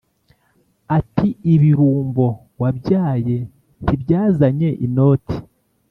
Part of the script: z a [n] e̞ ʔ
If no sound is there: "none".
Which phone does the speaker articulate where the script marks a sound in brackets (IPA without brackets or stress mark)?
ɲ